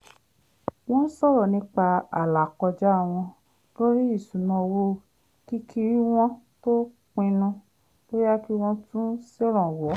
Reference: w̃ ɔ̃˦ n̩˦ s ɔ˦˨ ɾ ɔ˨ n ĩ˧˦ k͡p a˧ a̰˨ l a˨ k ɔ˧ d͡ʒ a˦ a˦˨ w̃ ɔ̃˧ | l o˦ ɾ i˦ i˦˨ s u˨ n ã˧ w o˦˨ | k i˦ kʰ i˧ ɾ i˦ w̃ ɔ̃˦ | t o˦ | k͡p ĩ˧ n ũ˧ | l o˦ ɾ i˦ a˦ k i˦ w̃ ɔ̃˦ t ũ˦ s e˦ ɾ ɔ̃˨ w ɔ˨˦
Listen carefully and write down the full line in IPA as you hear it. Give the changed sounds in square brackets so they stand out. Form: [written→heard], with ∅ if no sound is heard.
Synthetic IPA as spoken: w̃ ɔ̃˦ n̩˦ s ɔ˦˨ ɾ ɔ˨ n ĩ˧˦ k͡p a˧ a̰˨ l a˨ k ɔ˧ d͡ʒ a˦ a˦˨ w̃ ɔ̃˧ | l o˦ ɾ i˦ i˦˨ s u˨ n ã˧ w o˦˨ | k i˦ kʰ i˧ ɾ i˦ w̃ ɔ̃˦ | t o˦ | k͡p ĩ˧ n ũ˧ | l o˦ ɾ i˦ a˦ k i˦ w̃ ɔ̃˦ t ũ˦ s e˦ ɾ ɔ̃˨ w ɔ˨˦

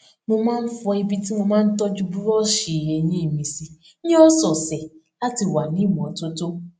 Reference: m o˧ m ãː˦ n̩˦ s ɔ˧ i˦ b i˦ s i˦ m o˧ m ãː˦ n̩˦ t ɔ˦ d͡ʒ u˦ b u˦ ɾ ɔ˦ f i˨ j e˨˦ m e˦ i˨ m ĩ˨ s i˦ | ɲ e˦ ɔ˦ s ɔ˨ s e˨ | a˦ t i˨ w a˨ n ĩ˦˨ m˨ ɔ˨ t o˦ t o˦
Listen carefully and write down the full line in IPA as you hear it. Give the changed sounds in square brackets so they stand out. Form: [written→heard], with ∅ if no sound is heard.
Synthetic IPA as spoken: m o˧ m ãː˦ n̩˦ [s→f] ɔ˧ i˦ b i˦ [s→t] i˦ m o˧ m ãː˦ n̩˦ t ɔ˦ d͡ʒ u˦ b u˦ ɾ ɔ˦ [f→ʃ] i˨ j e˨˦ [m→ɲ] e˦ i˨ m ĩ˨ s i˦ | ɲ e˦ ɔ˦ s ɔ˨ s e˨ | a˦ t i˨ w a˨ n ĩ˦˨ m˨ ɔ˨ t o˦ t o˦

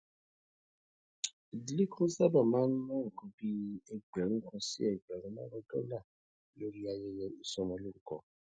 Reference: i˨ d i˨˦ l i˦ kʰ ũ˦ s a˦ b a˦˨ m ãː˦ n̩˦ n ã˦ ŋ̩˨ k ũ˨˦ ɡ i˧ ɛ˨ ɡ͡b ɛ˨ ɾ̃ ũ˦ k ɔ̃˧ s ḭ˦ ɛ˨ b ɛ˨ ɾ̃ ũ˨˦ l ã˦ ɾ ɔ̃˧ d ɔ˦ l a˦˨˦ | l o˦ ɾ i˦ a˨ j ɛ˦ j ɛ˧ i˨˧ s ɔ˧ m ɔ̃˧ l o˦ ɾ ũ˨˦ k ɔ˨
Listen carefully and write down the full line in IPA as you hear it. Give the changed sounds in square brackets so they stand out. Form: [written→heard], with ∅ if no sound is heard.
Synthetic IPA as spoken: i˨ d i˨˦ l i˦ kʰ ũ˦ s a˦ b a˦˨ m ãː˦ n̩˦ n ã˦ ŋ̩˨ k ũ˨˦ [ɡ→b] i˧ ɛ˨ ɡ͡b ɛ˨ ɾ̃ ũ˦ k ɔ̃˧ s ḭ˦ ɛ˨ [b→ɡ͡b] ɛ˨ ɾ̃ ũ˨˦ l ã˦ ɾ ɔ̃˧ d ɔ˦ l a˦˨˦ | l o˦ ɾ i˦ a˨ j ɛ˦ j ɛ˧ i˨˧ s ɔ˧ m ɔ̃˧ l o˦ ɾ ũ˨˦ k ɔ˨

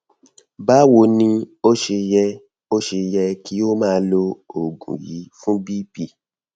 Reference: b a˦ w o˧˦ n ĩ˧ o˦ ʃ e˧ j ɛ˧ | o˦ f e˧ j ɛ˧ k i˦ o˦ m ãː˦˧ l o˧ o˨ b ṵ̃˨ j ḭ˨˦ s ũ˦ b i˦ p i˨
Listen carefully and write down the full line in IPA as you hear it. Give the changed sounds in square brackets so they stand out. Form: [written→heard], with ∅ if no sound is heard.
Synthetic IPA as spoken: b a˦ w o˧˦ n ĩ˧ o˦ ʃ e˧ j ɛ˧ | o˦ [f→ʃ] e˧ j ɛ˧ k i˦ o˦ m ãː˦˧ l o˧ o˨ [b→ɡ] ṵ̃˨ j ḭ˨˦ [s→f] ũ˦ b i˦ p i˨

